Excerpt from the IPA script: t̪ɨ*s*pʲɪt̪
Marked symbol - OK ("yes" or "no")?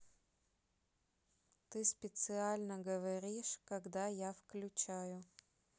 yes